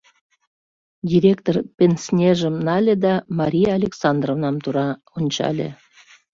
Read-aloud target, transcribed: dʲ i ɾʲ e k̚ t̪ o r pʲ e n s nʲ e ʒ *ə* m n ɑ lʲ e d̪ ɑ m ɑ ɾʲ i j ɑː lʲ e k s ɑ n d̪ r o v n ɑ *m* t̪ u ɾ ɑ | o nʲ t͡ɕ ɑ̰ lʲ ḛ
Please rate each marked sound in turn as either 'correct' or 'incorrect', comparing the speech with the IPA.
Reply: correct, correct

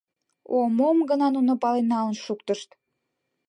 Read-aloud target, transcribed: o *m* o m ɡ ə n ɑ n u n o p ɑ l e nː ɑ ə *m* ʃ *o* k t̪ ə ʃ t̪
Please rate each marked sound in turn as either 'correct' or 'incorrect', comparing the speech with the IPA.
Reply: correct, incorrect, incorrect

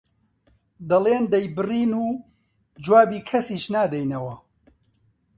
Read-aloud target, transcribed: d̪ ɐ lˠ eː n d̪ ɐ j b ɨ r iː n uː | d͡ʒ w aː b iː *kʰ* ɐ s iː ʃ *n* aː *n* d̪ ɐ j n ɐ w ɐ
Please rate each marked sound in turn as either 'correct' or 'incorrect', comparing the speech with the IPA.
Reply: correct, correct, incorrect

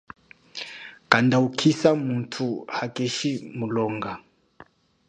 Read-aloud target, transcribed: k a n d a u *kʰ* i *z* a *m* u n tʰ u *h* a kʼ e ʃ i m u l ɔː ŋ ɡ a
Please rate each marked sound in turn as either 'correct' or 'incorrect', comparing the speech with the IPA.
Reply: correct, incorrect, correct, correct

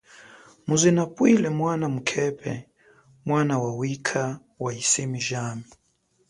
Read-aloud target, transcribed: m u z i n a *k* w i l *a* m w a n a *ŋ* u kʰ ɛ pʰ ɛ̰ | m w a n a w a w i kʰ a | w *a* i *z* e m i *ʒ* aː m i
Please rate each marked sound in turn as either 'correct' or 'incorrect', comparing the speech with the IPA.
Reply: incorrect, incorrect, incorrect, correct, incorrect, correct

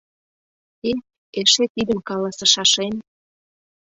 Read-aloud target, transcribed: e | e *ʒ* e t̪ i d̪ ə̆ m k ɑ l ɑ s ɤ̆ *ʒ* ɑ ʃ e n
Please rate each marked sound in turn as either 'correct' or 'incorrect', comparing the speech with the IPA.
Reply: incorrect, incorrect

